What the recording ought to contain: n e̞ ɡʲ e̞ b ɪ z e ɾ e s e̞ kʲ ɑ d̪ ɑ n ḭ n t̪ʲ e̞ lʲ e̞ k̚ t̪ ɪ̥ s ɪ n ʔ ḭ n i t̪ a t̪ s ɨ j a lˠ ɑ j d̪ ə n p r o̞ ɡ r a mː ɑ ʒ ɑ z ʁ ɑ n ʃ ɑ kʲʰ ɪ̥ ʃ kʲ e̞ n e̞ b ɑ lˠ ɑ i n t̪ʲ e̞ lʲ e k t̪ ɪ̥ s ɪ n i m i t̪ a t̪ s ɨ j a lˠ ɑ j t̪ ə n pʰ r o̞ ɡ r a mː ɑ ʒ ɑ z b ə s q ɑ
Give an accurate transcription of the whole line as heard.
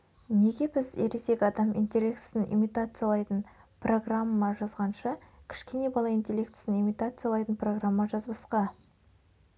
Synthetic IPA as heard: n e̞ ɡʲ e̞ b ɪ z e ɾ e s e̞ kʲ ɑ d̪ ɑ m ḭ n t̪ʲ e̞ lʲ e̞ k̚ t̪ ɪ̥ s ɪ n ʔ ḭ m i t̪ a t̪ s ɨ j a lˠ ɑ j t̪ ə n p r o̞ ɡ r a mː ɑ ʒ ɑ z ʁ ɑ n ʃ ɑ kʲʰ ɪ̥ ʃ kʲ e̞ n e̞ b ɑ lˠ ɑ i n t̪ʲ e̞ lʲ e k t̪ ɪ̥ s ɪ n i m i t̪ a t̪ s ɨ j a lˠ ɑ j t̪ ə n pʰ r o̞ ɡ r a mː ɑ ʒ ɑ z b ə s q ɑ